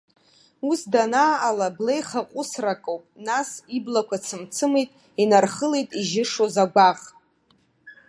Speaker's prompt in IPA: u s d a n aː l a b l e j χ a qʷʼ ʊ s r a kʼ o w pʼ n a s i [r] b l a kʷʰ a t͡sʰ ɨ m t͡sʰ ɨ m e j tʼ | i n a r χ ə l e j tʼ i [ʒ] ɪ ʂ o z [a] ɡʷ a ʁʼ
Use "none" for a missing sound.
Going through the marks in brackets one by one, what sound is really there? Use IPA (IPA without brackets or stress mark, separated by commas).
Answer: none, ʒ, a